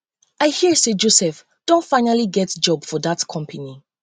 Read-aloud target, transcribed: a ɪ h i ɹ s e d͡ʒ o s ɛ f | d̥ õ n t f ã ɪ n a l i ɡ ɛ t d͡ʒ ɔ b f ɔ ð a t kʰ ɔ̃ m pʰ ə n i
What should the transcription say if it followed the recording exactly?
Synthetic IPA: a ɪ h i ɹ s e d͡ʒ o s ɛ f | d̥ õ n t f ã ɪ n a l i ɡ ɛ t d͡ʒ ɔ b f ɔ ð a t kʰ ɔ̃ m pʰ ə n i